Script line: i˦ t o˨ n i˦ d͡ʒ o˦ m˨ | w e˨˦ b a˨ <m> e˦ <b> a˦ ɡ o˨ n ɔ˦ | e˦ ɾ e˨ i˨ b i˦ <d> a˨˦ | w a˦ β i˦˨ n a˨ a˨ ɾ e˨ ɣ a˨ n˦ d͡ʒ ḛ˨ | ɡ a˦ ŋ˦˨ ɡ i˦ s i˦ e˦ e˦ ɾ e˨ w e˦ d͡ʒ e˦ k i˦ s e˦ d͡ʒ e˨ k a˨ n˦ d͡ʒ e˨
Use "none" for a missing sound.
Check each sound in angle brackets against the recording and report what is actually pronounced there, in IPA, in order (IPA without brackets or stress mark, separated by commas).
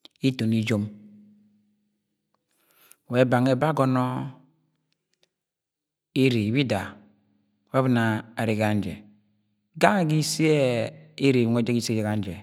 ŋ, b, d